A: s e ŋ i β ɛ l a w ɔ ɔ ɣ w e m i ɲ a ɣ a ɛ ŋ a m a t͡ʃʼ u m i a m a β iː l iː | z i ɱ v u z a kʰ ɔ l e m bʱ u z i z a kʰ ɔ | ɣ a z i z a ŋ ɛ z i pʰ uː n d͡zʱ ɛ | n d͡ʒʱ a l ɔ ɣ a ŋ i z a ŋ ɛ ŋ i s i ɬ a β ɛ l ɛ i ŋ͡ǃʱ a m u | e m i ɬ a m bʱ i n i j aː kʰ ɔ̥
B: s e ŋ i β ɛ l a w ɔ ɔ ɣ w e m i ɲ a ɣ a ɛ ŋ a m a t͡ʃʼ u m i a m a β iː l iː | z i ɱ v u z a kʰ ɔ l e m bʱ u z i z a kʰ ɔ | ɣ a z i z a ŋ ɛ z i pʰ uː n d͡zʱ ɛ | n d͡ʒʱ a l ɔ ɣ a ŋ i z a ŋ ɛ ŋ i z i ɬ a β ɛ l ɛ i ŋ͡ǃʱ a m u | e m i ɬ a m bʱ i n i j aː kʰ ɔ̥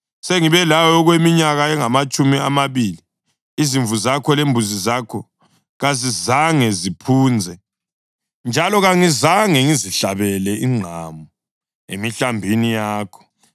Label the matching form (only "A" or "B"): B